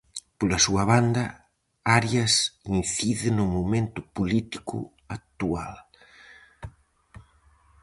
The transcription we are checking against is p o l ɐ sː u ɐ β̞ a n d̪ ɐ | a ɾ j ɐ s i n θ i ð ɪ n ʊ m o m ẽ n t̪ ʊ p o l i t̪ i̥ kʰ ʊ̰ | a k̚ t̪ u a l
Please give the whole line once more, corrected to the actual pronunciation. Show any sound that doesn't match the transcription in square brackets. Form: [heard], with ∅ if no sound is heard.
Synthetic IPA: p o l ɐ [s] u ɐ β̞ a n d̪ ɐ | a ɾ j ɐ s i n θ i ð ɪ n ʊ m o m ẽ n t̪ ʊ p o l i t̪ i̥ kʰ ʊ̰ | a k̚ t̪ u a l